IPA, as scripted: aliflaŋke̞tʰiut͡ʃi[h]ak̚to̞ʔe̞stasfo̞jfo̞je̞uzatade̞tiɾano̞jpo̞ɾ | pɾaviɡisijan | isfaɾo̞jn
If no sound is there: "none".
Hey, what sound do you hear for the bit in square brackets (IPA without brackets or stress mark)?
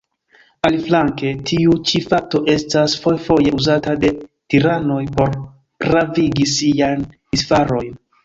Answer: f